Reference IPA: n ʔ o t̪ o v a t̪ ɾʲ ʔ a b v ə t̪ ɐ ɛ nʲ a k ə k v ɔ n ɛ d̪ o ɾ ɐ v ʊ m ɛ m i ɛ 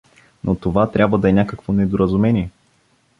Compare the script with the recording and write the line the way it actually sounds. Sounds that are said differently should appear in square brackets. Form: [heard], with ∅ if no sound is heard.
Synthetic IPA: n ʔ o t̪ o v a t̪ ɾʲ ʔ a b v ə [d̪] ɐ ɛ nʲ a k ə k v [o] n ɛ d̪ o ɾ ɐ [z] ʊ m ɛ [n] i ɛ